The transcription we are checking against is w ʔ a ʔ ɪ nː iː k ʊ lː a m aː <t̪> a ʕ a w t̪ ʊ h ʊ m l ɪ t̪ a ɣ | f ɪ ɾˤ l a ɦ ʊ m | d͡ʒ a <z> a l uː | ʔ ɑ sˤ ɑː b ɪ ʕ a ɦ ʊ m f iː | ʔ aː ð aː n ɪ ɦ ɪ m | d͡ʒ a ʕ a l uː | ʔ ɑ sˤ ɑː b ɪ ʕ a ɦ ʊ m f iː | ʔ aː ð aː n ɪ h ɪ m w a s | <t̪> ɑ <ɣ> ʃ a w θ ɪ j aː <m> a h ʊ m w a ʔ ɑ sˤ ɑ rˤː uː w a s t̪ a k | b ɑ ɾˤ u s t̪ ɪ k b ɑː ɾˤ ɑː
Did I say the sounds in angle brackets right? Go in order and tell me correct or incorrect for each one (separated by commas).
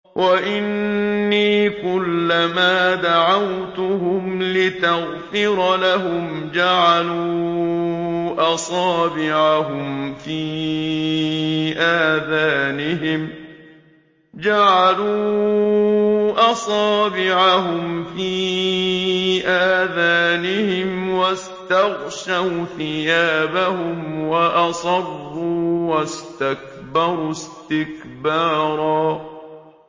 incorrect, incorrect, correct, correct, incorrect